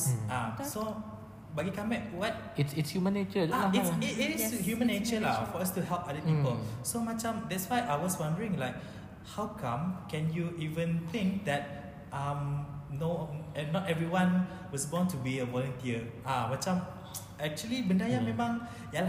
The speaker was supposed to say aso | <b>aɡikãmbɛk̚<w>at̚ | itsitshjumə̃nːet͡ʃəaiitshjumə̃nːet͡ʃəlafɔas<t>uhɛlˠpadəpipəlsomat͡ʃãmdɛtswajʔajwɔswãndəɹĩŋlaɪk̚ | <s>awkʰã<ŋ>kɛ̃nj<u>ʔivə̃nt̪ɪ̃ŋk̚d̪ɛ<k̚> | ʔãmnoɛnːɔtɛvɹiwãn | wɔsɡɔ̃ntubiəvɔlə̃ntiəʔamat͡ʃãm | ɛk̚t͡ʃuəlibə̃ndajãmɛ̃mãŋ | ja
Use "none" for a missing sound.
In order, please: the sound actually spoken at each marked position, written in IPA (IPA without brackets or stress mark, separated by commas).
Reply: b, w, t, h, m, u, t̚